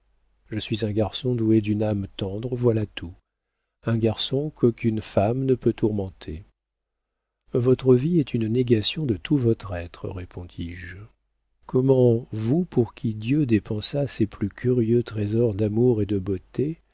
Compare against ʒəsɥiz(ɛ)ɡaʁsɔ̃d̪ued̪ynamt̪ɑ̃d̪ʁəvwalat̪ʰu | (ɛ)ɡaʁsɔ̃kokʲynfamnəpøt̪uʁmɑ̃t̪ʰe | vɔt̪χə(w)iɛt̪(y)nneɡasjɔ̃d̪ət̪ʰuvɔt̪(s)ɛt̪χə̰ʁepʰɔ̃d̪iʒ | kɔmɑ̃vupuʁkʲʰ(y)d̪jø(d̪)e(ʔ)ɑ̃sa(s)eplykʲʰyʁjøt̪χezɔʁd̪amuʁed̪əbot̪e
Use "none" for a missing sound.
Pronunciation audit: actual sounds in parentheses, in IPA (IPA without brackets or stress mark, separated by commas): ɛ̃, ɛ̃, v, y, χ, i, d̪, p, s